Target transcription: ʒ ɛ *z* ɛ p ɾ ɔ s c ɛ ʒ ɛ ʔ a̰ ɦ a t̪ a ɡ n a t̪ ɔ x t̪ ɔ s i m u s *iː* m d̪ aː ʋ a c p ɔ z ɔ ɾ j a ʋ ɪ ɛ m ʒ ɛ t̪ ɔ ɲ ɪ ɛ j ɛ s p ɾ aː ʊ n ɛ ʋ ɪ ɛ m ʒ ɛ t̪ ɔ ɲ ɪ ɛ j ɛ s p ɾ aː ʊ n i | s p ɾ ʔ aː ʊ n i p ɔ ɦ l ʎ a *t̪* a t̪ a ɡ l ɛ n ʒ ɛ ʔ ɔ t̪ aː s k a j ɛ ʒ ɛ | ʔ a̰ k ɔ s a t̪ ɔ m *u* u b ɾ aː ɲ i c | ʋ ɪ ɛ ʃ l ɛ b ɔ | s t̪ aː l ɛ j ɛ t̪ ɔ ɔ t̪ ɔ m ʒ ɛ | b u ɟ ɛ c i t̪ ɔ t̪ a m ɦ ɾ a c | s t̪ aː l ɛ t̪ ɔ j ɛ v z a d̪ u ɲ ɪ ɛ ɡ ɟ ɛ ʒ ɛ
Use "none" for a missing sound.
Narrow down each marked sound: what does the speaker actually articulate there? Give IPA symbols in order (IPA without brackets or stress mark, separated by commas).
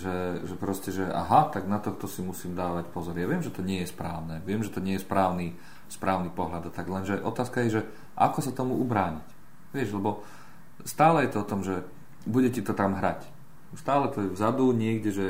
ʒ, iː, d̪, u